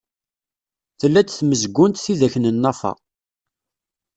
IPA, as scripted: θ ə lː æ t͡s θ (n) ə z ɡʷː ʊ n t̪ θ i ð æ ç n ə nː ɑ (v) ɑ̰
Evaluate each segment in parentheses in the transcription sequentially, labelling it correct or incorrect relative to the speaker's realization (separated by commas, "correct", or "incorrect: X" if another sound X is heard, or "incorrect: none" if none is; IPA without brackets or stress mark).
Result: incorrect: m, incorrect: f